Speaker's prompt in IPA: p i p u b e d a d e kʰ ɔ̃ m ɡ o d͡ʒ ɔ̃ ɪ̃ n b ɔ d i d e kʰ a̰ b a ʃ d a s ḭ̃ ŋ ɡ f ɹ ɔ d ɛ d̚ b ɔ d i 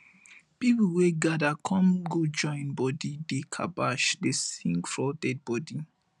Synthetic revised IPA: p i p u w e ɡ a d a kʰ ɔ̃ m ɡ o d͡ʒ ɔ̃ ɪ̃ n b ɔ d i d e kʰ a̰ b a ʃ d e s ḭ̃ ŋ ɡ f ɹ ɔ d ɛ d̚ b ɔ d i